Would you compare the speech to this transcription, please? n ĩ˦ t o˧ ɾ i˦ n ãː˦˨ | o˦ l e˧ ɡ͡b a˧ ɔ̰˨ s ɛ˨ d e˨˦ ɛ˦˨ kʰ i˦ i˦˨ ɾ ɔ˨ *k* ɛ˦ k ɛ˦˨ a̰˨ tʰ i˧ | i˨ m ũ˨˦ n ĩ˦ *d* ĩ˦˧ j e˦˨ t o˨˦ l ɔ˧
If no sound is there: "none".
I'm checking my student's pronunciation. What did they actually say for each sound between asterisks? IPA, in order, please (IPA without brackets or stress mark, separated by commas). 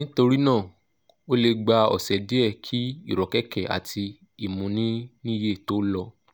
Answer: k, n